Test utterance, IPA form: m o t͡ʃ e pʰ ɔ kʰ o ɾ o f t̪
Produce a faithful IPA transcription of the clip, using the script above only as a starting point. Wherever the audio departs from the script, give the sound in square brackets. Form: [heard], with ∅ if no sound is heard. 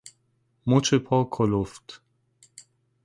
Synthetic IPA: m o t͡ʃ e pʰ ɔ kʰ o [l] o f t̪